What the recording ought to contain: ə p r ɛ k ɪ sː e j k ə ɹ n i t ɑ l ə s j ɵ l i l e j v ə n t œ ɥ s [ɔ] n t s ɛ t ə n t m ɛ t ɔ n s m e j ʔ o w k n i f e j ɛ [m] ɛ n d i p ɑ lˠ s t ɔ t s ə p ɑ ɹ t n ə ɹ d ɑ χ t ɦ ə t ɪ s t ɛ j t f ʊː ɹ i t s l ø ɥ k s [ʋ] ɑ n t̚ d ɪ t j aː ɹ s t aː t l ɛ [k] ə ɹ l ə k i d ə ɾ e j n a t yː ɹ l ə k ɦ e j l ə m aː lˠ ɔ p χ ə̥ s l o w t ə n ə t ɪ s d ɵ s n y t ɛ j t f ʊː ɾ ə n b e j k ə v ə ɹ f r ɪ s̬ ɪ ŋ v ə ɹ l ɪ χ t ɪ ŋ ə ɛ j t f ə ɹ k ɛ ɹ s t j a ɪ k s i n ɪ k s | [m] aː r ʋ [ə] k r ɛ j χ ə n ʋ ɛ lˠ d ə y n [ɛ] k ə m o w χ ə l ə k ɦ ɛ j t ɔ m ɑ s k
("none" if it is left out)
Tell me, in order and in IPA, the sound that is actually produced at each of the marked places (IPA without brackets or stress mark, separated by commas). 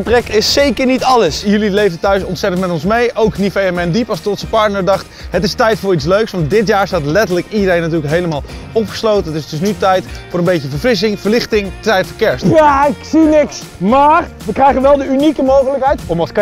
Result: ɔ, m, ʋ, t, m, ə, i